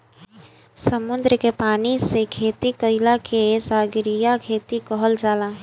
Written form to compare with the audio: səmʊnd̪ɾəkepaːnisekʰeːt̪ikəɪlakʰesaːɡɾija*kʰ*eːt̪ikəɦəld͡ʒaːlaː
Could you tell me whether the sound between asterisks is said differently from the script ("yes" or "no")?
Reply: no